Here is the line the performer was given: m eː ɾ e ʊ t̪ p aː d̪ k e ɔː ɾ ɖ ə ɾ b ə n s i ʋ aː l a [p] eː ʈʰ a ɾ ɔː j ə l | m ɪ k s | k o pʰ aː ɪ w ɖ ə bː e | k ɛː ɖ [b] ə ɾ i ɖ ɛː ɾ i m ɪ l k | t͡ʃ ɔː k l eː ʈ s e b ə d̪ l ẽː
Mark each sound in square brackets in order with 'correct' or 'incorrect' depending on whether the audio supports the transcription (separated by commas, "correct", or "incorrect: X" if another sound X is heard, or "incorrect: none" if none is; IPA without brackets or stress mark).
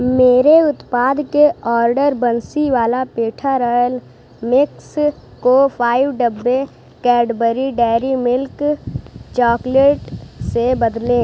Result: correct, correct